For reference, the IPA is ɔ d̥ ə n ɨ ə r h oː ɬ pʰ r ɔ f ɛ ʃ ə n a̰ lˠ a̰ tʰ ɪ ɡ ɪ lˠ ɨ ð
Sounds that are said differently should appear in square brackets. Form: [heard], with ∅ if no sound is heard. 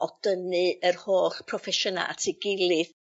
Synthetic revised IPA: ɔ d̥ ə n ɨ ə r h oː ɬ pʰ r ɔ f ɛ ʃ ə n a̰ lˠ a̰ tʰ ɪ ɡ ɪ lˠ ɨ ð